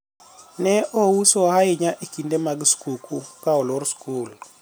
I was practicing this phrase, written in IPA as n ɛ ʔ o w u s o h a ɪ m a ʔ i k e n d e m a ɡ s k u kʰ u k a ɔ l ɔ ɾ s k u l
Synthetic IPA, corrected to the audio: n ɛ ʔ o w u s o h a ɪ ɲ a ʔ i k i n d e m a ɡ s k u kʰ u k a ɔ l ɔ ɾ s k u l